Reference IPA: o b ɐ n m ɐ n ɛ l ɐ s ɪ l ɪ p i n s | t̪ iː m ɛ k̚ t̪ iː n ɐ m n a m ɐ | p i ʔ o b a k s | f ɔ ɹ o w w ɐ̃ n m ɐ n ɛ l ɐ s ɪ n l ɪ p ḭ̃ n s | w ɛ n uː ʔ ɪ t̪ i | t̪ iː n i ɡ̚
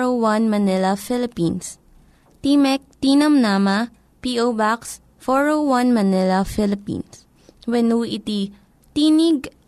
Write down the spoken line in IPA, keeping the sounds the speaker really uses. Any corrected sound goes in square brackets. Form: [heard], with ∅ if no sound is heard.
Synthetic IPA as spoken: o [w] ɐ n m ɐ n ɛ l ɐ [f] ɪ l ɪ p i n s | t̪ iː m ɛ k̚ t̪ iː n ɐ m n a m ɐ | p i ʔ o b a k s | f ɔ ɹ o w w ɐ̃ n m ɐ n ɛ l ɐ [f] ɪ [∅] l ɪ p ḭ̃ n s | w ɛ n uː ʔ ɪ t̪ i | t̪ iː n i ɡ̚